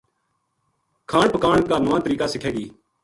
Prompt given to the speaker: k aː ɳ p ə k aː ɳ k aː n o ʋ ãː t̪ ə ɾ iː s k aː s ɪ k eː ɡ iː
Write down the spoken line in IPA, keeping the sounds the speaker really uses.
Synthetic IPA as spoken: kʰ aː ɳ p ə k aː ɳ k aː n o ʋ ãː t̪ ə ɾ iː k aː s ɪ kʰ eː ɡ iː